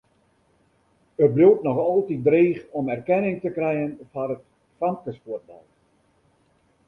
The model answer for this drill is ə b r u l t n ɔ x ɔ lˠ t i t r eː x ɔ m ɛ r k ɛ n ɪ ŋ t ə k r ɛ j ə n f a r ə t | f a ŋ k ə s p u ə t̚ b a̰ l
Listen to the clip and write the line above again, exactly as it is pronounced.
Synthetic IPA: ə b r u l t n ɔ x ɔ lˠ t i d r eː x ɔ m ɛ r k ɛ n ɪ ŋ t ə k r ɛ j ə n f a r ə t | f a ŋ k ə s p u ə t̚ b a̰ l